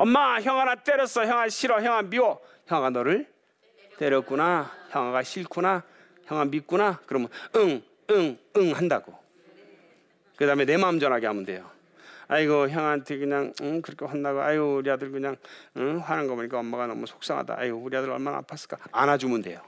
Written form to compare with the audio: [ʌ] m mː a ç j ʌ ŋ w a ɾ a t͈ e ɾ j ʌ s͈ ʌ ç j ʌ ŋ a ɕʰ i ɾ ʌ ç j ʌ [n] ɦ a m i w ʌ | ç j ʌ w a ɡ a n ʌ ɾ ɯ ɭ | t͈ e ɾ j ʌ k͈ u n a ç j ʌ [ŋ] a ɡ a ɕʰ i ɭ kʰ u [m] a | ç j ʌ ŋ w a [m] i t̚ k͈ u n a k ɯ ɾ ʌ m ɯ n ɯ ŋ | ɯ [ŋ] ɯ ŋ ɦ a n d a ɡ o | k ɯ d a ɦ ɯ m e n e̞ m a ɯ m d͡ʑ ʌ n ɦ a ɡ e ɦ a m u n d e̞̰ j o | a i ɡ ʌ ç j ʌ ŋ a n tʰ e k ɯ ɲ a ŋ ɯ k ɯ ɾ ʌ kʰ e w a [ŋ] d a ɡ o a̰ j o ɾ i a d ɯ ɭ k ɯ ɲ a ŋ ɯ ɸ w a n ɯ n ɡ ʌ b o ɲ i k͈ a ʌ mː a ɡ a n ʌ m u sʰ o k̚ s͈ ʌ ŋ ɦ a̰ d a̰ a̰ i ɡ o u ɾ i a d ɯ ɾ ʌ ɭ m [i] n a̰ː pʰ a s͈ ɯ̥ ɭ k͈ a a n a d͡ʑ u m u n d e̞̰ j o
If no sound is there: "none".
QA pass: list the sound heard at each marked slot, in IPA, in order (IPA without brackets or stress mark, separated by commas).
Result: ʌ, ŋ, ŋ, n, m, ŋ, n, a